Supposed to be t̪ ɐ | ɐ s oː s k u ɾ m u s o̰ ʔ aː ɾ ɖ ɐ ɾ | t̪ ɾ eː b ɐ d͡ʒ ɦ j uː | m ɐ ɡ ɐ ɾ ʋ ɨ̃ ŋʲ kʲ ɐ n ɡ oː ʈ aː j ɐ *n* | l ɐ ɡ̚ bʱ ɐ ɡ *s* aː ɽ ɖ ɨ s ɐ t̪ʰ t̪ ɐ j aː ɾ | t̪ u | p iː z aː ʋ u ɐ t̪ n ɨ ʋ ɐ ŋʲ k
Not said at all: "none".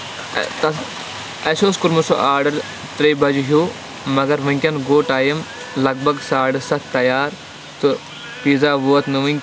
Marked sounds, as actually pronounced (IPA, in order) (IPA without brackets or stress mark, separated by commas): m, s